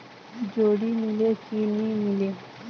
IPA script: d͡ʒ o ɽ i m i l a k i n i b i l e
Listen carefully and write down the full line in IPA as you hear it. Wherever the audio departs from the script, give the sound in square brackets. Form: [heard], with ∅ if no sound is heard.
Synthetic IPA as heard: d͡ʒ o ɽ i m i l [e] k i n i [m] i l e